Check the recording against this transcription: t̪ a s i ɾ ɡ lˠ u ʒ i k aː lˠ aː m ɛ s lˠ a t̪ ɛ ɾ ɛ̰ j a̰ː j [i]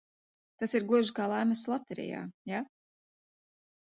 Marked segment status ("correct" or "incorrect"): incorrect